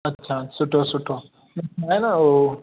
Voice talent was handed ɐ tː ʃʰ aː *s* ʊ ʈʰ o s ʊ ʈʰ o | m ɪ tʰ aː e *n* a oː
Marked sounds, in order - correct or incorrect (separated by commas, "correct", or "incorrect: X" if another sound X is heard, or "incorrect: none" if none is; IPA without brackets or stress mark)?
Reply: correct, correct